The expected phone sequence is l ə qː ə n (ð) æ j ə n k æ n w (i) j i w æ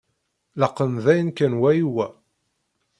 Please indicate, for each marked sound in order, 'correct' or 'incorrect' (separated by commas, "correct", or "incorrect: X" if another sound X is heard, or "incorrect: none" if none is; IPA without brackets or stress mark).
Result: correct, incorrect: æ